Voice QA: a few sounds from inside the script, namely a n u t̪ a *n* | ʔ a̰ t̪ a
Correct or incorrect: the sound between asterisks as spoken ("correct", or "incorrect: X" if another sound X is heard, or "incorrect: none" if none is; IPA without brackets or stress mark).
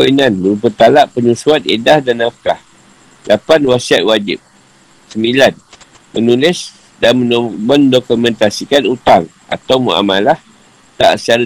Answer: incorrect: ŋ